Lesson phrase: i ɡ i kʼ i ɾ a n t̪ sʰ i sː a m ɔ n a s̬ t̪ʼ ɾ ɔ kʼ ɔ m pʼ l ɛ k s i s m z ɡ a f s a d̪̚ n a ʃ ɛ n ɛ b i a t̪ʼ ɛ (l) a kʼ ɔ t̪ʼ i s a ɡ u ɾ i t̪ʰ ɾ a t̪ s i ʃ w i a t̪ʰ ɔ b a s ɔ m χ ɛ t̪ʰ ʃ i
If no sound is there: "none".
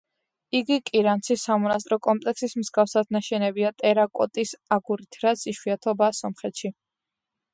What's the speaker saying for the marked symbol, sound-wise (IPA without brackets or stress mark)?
ɾ